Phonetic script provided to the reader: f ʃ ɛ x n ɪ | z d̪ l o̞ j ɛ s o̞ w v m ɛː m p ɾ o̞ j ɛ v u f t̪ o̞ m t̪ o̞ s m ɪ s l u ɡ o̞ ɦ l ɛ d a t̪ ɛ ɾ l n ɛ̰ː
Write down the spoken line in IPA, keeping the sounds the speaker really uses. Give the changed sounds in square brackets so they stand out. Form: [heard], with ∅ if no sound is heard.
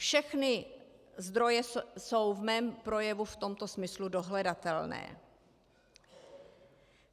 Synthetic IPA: f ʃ ɛ x n ɪ | z d̪ [ɾ] o̞ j ɛ s o̞ w v m ɛː m p ɾ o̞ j ɛ v u f t̪ o̞ m t̪ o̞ s m ɪ s l u [d] o̞ ɦ l ɛ d a t̪ ɛ [∅] l n ɛ̰ː